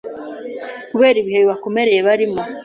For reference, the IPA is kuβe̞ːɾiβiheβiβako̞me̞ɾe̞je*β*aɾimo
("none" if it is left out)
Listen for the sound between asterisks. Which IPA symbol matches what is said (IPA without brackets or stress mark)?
β